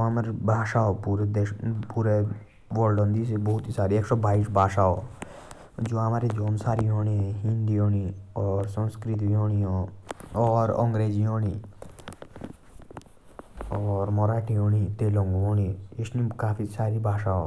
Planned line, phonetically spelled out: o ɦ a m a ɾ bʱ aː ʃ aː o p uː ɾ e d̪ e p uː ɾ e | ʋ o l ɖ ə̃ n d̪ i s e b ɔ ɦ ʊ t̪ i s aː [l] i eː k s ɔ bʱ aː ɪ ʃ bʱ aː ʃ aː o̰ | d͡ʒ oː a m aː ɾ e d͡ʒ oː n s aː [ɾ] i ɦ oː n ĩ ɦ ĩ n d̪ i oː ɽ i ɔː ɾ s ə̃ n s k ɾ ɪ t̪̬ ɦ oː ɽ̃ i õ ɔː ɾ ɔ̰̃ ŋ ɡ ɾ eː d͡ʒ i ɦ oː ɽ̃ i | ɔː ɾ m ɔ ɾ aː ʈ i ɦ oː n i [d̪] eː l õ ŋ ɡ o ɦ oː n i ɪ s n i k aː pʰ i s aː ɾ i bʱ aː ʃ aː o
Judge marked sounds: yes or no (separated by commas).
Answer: no, yes, no